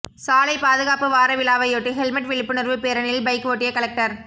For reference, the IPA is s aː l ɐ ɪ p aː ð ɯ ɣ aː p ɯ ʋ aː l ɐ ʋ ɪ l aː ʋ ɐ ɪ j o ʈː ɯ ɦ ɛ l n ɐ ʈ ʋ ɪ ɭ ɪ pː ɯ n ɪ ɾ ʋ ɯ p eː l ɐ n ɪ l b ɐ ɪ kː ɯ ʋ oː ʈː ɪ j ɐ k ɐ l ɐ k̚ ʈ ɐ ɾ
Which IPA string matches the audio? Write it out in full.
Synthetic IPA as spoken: s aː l ɐ ɪ p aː ð ɯ ɣ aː p ɯ ʋ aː ɾ ɐ ʋ ɪ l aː ʋ ɐ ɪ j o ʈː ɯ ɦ ɛ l m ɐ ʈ ʋ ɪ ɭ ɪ pː ɯ n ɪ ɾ ʋ ɯ p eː ɾ ɐ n ɪ l b ɐ ɪ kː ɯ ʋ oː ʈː ɪ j ɐ k ɐ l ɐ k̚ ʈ ɐ ɾ